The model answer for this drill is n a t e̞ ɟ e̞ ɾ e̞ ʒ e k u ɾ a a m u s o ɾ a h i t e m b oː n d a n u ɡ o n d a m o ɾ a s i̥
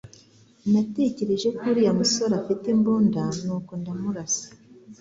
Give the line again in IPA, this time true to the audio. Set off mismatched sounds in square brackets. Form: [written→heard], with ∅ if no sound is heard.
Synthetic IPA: n a t e̞ [ɟ→c] e̞ ɾ e̞ ʒ e k u ɾ [a→i] a m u s o ɾ a [h→f] i t e m b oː n d a n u [ɡ→k] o n d a m [o→u] ɾ a s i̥